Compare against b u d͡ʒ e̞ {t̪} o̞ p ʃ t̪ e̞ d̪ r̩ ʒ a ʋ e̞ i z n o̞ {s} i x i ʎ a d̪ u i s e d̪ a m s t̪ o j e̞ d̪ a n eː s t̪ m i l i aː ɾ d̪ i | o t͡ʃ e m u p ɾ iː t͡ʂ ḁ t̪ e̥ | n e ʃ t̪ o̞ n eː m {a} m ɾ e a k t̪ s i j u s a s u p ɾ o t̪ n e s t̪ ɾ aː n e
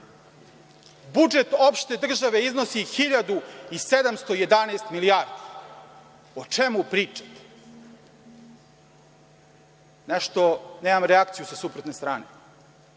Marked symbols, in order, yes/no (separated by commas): yes, yes, yes